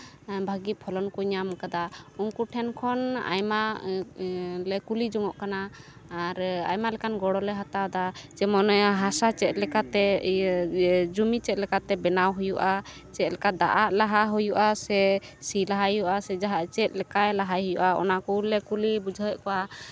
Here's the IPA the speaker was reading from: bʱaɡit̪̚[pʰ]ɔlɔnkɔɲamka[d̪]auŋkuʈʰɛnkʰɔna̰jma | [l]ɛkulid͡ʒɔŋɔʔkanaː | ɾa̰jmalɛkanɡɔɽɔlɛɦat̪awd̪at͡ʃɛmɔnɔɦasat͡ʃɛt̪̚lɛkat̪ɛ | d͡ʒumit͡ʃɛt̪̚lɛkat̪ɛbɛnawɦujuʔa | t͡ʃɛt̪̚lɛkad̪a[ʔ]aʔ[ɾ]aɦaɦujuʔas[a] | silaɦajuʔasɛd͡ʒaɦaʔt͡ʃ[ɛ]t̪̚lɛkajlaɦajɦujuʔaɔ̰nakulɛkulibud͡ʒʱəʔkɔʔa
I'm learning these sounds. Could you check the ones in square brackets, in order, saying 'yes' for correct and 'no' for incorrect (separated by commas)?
yes, yes, yes, yes, no, no, yes